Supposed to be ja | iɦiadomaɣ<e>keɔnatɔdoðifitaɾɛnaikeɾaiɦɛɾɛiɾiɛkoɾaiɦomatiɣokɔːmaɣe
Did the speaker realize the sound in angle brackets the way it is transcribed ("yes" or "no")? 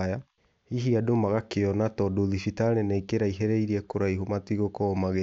no